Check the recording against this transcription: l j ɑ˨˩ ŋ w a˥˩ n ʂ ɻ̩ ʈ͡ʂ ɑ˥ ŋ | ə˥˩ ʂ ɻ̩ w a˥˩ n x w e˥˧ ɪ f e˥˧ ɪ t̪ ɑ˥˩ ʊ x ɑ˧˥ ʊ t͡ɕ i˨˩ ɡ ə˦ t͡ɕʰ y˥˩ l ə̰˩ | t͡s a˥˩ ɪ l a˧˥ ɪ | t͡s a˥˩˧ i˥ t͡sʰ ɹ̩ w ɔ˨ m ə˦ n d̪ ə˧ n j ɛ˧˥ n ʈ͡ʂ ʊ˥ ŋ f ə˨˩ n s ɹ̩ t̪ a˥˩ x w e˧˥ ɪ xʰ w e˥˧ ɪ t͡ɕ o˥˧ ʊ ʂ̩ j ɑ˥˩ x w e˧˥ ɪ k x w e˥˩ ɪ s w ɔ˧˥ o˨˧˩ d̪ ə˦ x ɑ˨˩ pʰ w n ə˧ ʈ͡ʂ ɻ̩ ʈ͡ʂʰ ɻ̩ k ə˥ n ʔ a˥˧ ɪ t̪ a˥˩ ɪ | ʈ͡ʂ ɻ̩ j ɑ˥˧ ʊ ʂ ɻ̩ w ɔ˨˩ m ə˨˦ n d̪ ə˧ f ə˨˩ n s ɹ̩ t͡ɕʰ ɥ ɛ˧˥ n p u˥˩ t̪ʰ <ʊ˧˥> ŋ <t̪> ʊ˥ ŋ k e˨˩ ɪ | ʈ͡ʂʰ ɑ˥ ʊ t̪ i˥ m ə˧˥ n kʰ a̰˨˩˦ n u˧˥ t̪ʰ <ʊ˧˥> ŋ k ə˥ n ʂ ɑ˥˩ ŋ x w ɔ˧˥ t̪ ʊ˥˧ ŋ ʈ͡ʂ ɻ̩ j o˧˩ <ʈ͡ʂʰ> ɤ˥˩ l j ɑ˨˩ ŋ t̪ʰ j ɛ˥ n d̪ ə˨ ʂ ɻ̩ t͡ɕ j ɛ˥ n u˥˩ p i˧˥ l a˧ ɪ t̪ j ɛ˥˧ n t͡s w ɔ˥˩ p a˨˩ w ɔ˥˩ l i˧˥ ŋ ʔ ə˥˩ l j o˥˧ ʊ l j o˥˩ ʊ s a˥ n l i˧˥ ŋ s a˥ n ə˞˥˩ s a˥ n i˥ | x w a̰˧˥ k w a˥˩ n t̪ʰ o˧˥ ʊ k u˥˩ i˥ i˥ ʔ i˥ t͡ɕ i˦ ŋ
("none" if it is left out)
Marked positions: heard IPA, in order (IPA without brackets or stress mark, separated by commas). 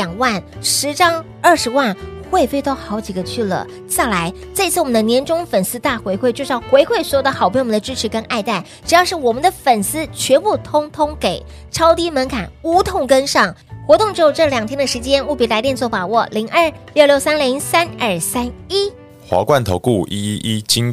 ʊ˥, t̪ʰ, ʊ˥˧, ʈ͡ʂ